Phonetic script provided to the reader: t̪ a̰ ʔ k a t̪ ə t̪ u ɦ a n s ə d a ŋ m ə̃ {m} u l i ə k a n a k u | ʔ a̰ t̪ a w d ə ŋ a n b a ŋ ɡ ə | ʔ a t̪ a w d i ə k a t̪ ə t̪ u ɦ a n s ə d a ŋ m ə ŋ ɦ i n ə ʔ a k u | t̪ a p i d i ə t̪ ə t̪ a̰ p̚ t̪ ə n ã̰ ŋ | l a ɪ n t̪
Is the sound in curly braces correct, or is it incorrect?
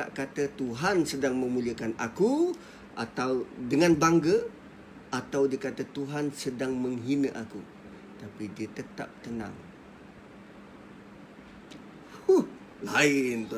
correct